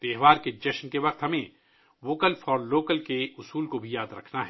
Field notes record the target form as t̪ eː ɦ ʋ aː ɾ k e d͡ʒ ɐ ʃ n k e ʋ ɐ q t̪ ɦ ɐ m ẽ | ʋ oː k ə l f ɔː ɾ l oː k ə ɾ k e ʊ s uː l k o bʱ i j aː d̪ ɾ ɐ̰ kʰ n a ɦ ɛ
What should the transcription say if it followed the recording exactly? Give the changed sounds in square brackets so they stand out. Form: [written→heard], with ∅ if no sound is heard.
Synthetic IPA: t̪ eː ɦ ʋ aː ɾ k e d͡ʒ ɐ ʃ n k e ʋ ɐ q t̪ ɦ ɐ m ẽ | ʋ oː k ə l f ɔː ɾ l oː k ə [ɾ→l] k e ʊ s uː l k o bʱ i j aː d̪ ɾ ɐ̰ kʰ n a ɦ ɛ